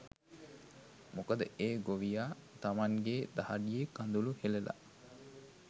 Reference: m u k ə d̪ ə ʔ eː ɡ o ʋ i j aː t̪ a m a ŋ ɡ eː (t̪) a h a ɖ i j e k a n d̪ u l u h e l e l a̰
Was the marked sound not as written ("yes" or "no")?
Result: yes